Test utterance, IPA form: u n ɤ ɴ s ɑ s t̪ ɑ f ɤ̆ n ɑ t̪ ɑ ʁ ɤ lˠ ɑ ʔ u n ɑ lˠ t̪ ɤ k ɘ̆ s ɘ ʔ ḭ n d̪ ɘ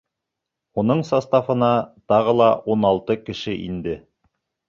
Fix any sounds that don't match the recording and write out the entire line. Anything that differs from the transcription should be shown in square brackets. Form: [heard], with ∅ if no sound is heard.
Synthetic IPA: u n ɤ ɴ s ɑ s t̪ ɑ f ɤ̆ n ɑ t̪ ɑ ʁ ɤ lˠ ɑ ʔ u n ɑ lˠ t̪ ɤ k ɘ̆ [ʃ] ɘ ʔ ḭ n d̪ ɘ